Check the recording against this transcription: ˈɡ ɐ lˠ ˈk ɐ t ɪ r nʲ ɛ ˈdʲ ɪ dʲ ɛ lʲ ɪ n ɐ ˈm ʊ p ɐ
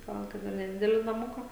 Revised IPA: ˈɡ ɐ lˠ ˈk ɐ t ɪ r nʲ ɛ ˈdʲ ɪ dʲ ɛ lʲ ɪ n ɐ ˈm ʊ k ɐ